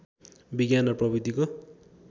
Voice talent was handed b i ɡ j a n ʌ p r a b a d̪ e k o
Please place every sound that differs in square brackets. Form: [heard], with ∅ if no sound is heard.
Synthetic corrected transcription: b i ɡ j a n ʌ p r [ʌ] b [i] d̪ [i] k o